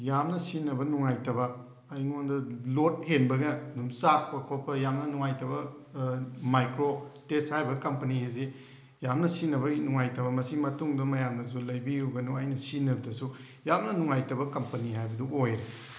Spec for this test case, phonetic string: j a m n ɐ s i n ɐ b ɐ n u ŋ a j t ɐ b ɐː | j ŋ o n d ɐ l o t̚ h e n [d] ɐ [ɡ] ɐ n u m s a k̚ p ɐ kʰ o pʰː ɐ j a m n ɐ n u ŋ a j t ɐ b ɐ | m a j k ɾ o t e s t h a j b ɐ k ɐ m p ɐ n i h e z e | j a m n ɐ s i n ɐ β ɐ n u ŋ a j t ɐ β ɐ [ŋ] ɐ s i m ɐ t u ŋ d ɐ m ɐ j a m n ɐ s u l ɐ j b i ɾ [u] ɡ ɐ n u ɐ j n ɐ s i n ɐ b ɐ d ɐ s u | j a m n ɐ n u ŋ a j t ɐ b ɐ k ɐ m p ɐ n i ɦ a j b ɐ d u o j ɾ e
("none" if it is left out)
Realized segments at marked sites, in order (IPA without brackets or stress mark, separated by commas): b, ɡ, m, u